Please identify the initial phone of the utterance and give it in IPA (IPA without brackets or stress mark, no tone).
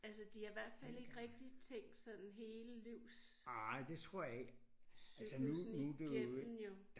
æ